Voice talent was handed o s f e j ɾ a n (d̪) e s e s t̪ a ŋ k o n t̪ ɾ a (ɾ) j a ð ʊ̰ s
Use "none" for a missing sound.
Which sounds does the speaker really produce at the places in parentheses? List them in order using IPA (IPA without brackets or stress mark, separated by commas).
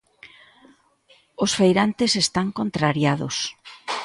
t̪, ɾ